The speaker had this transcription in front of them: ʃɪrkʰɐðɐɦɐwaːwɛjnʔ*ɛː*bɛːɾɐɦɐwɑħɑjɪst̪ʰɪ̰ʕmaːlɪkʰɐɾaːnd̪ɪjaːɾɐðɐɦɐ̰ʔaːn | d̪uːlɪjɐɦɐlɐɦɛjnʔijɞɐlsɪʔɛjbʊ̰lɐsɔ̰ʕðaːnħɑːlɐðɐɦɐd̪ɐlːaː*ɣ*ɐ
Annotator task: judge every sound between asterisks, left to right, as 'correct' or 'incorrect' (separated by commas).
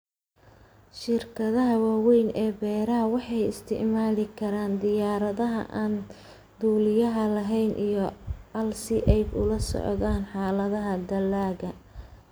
correct, correct